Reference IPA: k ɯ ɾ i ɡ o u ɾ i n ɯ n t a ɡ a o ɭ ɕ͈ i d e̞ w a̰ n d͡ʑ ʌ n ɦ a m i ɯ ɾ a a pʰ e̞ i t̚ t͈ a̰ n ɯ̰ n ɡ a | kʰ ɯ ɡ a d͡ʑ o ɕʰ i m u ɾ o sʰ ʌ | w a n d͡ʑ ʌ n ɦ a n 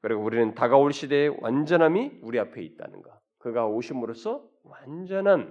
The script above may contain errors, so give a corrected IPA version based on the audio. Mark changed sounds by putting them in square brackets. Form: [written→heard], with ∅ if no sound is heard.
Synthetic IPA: k ɯ ɾ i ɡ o u ɾ i n ɯ n t a ɡ a o ɭ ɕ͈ i d e̞ w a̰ n d͡ʑ ʌ n ɦ a m i [ɯ→u] ɾ [a→i] a pʰ e̞ i t̚ t͈ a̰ n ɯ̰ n ɡ a | [kʰ→k] ɯ ɡ a [d͡ʑ→∅] o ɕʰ i m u ɾ o sʰ ʌ | w a n d͡ʑ ʌ n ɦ a n